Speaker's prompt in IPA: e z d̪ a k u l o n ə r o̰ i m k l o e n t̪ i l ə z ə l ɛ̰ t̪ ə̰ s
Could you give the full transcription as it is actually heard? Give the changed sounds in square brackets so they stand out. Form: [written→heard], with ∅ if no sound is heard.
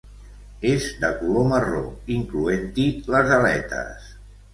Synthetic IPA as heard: e z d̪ [a→ə] k u l o [n→m] ə r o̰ i [m→ŋ] k l [o→u] e n t̪ i l ə z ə l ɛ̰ t̪ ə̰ s

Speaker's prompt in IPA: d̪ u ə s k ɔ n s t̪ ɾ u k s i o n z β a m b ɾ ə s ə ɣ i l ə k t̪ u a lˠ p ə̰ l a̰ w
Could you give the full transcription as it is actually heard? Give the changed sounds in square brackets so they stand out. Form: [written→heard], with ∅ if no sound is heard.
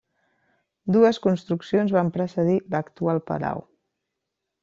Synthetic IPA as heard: d̪ u ə s k [ɔ→u] n s t̪ ɾ u k s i o n z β a m [b→p] ɾ ə s ə [ɣ→ð] i l ə k t̪ u a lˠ p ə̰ l a̰ w

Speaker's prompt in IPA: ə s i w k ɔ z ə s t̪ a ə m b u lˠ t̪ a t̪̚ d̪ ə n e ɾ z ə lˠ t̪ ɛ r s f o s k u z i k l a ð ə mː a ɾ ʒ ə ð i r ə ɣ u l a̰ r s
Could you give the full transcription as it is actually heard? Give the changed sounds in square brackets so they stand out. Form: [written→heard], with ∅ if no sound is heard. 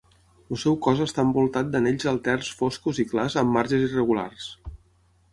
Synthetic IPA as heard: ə s [i→ɛ] w k ɔ z ə s t̪ a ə m b u lˠ t̪ a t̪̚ d̪ ə n e [ɾ→ʎ] z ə lˠ t̪ ɛ r s f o s k u z i k l a [ð→z] ə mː a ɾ ʒ ə [ð→z] i r ə ɣ u l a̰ r s

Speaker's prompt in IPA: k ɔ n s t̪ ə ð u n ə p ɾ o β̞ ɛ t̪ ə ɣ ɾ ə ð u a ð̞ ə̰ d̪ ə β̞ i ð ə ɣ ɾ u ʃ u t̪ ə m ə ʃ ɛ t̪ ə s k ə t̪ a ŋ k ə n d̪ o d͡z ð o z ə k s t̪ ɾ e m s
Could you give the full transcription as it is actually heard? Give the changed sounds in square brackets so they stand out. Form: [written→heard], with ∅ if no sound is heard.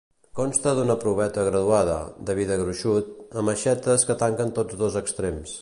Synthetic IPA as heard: k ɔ n s t̪ ə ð u n ə p ɾ [o→u] β̞ ɛ t̪ ə ɣ ɾ ə ð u a ð̞ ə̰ d̪ ə β̞ i ð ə ɣ ɾ u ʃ u t̪ ə m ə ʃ ɛ t̪ ə s k ə t̪ a ŋ k ə n [d̪→t̪] o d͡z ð o z ə k s t̪ ɾ e m s

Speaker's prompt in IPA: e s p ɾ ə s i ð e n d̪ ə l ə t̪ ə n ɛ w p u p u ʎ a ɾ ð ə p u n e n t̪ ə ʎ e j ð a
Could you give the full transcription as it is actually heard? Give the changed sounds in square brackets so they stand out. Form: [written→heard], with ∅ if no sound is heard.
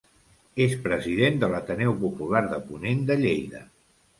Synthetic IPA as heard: e s p ɾ ə [s→z] i ð e n d̪ ə l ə t̪ ə n ɛ w p u p u [ʎ→l] a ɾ ð ə p u n e n [t̪→d̪] ə ʎ e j ð [a→ə]

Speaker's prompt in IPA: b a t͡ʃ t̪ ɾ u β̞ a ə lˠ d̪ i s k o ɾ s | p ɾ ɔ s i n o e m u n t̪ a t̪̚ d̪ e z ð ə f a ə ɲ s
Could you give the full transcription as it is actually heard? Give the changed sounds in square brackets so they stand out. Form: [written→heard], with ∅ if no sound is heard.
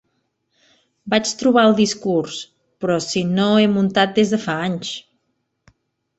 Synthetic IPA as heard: b a t͡ʃ t̪ ɾ u β̞ a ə lˠ d̪ i s k [o→u] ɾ s | p ɾ ɔ s i n o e m u n t̪ a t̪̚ d̪ e z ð ə f a [ə→a] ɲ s

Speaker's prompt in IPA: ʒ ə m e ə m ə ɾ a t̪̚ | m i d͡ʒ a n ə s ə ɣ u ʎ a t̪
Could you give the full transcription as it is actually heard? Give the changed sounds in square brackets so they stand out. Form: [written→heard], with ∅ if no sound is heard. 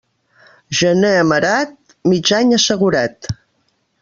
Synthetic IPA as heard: ʒ ə [m→n] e ə m ə ɾ a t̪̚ | m i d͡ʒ a [n→ɲ] ə s ə ɣ u [ʎ→ɾ] a t̪

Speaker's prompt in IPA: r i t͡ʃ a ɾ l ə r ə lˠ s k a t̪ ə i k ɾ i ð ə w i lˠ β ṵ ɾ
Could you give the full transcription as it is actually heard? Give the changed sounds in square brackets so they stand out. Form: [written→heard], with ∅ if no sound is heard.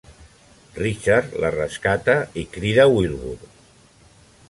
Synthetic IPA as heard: r i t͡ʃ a ɾ l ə r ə [lˠ→∅] s k a t̪ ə i k ɾ i ð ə w i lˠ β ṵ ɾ

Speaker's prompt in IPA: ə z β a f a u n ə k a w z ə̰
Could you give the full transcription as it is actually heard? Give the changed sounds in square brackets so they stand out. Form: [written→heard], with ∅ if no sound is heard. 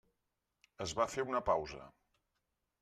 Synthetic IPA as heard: ə z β a f [a→e] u n ə [k→p] a w z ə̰

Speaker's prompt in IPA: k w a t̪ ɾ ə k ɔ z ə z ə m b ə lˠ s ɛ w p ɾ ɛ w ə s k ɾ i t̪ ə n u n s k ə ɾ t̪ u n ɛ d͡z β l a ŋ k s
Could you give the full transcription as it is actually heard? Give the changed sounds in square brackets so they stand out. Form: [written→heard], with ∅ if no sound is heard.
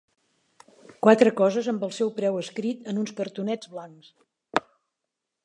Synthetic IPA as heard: k w a t̪ ɾ ə k ɔ z ə z ə m b ə lˠ s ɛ w p ɾ ɛ w ə s k ɾ i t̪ ə n u n s k ə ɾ t̪ u n ɛ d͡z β l a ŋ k s

